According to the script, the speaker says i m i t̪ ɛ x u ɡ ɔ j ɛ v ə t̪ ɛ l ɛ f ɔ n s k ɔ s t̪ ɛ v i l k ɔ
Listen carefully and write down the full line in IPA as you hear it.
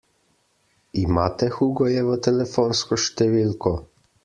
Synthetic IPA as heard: i m a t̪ ɛ x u ɡ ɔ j ɛ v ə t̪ ɛ l ɛ f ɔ n s k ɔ ʃ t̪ ɛ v i l k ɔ